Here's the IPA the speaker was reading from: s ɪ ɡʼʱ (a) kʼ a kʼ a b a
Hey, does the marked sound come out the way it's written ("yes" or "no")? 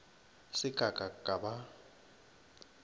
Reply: yes